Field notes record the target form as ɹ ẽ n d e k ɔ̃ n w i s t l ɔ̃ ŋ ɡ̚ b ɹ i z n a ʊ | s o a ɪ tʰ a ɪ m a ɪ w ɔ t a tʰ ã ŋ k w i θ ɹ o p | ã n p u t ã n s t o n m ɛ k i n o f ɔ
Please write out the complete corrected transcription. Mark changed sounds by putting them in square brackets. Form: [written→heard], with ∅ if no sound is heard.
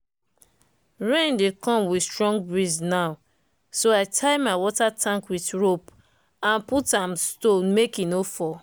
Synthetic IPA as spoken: ɹ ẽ n d e k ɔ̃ [n→m] w i s t [l→ɹ] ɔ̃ ŋ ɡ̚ b ɹ i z n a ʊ | s o a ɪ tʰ a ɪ m a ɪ w ɔ t a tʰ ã ŋ k w i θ ɹ o p | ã n p u t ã [n→m] s t o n m [ɛ→e] k i n o f ɔ